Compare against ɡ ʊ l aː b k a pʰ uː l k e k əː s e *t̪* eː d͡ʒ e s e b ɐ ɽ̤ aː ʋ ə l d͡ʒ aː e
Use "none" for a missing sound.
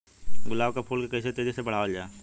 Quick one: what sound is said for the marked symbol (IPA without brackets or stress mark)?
t̪